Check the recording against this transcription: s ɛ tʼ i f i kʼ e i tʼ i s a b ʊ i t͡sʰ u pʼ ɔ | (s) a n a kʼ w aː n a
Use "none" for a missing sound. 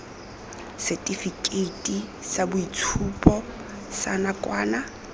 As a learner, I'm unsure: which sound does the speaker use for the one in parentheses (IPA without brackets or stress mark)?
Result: s